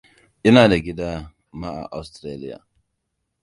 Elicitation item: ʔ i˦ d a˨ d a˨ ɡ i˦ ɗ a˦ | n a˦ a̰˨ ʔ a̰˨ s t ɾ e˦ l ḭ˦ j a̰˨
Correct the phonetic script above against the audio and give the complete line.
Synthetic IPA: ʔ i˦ n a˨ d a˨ ɡ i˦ d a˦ | m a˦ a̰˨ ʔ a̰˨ s t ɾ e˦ l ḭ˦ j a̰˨